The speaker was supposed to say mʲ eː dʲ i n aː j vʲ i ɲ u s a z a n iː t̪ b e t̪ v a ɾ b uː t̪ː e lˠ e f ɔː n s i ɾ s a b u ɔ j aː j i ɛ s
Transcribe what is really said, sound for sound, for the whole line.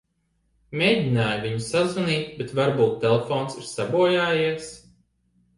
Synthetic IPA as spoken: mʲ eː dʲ i n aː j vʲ i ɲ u s a z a n iː t̪ b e t̪ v a ɾ b uː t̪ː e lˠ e f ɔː n s i ɾ s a b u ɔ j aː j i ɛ s